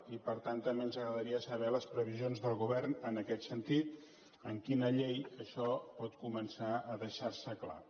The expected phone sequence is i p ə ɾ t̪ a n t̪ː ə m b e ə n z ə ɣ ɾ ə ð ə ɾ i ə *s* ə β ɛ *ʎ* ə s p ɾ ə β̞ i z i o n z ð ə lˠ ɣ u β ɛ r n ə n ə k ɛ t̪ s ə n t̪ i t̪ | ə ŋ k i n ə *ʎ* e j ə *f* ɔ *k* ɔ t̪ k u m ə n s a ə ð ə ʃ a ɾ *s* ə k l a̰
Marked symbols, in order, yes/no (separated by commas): yes, no, yes, no, no, yes